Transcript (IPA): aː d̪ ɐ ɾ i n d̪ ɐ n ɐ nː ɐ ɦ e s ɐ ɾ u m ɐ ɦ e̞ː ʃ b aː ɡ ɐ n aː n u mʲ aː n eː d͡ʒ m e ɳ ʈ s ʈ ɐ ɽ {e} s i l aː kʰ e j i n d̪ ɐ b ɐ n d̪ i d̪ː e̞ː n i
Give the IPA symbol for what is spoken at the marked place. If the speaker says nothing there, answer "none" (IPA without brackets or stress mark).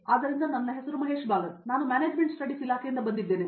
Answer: i